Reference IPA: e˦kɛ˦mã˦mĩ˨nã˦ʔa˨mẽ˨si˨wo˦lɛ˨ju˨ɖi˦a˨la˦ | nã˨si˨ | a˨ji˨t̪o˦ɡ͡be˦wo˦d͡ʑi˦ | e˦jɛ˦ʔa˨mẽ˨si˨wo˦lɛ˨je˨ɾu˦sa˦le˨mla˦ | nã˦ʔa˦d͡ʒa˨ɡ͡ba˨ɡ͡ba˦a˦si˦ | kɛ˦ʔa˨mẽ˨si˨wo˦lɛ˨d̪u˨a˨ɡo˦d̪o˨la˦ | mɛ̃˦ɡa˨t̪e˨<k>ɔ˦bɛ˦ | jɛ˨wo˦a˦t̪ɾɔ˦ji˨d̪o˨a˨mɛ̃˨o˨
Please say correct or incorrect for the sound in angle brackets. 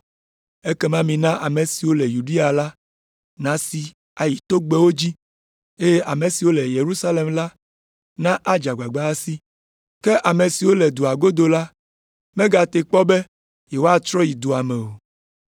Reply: incorrect: k͡p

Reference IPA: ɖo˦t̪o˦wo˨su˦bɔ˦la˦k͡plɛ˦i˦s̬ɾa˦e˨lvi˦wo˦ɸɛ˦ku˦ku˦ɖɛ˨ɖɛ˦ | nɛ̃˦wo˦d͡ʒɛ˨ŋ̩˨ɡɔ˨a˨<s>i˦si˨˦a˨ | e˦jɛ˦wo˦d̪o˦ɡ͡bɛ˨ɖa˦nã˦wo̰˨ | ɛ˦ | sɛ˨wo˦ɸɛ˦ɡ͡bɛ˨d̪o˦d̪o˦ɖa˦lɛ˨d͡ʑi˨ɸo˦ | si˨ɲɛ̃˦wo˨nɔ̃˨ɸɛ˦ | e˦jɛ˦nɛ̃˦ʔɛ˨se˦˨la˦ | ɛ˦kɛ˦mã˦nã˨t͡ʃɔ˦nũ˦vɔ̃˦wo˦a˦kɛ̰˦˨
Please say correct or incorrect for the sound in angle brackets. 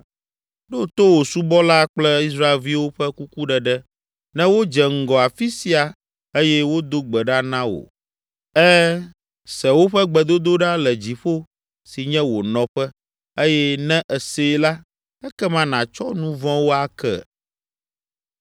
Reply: incorrect: f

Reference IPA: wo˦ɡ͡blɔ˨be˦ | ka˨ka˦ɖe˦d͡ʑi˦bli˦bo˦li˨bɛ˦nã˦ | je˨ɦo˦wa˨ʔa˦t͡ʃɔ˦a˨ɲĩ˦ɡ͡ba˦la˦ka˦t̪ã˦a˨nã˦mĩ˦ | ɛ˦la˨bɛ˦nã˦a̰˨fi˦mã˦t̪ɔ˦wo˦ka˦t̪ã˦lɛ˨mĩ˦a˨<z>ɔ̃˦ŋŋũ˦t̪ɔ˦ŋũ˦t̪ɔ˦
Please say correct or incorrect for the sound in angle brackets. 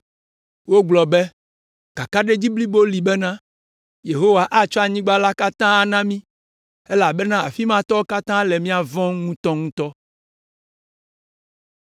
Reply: incorrect: v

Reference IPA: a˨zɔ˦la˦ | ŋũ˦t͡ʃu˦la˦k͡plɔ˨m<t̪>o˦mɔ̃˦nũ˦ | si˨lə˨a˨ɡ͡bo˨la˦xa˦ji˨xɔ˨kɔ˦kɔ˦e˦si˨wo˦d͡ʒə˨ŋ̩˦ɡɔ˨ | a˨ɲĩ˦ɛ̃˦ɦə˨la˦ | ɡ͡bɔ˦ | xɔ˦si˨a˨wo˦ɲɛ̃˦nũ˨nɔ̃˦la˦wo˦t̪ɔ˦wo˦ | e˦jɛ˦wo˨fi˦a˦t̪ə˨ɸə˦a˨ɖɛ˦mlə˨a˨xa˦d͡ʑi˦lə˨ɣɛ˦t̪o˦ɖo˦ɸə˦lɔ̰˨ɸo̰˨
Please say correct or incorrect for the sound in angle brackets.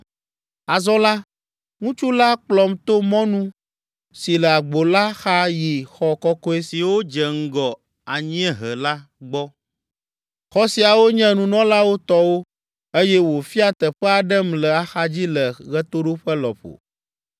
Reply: correct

